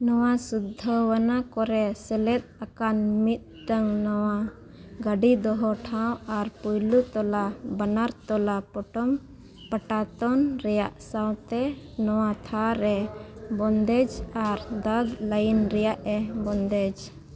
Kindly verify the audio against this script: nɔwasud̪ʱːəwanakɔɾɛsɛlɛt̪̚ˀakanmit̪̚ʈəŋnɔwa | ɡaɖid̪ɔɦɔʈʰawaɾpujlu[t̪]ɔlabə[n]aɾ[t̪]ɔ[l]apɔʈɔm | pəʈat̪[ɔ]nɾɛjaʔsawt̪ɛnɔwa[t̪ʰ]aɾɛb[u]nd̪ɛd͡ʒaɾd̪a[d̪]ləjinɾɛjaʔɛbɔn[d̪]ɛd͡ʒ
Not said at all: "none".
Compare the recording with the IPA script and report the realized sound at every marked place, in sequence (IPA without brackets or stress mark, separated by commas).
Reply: t̪, n, t̪, l, ɔ, t̪ʰ, ɔ, d̪, d̪